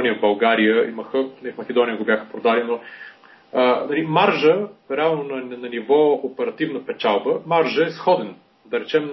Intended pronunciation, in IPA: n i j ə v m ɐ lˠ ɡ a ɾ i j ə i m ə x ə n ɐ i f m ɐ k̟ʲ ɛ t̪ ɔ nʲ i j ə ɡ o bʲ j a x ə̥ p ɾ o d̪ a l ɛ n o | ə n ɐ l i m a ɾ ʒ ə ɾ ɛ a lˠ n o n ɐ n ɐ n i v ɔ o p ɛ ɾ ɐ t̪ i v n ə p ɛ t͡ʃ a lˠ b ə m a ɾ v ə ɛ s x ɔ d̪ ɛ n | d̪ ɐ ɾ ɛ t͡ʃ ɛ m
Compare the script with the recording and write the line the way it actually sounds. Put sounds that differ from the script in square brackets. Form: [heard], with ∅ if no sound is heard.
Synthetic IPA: n i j ə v [b] ɐ lˠ ɡ a ɾ i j ə i m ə x ə n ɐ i f m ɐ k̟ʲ ɛ [d̪] ɔ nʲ i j ə ɡ o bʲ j a x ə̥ p ɾ o d̪ a l [i] n o | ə n ɐ l i m a ɾ ʒ ə ɾ ɛ a lˠ n o n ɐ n ɐ n i v ɔ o p ɛ ɾ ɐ t̪ i v n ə p ɛ t͡ʃ a lˠ b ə m a ɾ [ʒ] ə ɛ s x ɔ d̪ ɛ n | d̪ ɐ ɾ ɛ t͡ʃ ɛ m